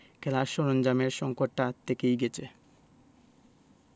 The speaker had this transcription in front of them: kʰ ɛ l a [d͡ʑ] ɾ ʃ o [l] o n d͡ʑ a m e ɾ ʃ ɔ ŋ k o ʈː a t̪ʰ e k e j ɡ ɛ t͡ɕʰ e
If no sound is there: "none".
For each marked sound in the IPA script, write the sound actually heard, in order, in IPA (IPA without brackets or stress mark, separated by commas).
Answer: none, ɾ